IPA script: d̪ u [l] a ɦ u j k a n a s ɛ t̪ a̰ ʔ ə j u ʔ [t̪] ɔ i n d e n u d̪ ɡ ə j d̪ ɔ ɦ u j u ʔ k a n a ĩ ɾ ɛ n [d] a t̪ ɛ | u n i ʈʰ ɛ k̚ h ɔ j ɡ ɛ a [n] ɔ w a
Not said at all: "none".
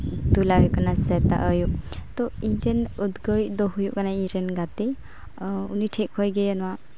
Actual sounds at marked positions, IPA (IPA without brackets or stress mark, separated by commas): l, t̪, ɡ, n